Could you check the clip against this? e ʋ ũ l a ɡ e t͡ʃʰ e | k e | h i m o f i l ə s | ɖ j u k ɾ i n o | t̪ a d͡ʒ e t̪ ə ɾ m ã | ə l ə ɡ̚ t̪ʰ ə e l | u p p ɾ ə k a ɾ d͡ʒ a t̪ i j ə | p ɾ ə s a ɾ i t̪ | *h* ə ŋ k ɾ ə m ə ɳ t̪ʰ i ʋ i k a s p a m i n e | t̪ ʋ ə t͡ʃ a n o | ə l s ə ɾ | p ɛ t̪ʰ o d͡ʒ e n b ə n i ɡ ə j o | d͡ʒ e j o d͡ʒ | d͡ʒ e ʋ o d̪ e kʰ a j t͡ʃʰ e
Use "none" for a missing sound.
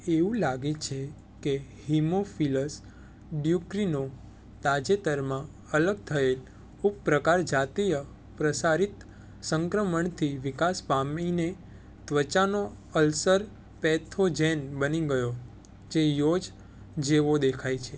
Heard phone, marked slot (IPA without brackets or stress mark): s